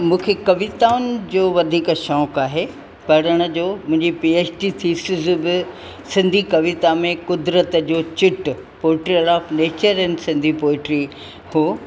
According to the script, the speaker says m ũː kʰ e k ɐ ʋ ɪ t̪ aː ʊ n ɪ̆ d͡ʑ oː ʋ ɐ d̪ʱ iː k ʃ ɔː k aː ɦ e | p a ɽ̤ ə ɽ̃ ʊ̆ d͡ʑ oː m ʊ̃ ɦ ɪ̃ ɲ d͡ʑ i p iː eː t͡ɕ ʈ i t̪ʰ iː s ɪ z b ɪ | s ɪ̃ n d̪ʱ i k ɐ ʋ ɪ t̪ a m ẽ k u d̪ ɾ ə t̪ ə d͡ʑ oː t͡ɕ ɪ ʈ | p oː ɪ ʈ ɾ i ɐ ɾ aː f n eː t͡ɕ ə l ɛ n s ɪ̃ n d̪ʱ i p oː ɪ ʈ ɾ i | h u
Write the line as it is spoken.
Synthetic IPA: m ũː kʰ e k ɐ ʋ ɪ t̪ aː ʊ n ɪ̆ d͡ʑ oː ʋ ɐ d̪ʱ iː k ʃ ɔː k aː ɦ e | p ɐ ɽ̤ ə ɽ̃ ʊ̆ d͡ʑ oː m ʊ̃ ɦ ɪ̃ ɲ d͡ʑ i p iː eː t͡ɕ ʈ i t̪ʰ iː s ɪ z b ɪ | s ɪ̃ n d̪ʱ i k ɐ ʋ ɪ t̪ a m ẽ k ʊ d̪ ɾ ə t̪ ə d͡ʑ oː t͡ɕ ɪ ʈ | p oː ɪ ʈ ɾ i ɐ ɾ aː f n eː t͡ɕ ə ɾ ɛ n s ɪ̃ n d̪ʱ i p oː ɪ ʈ ɾ i | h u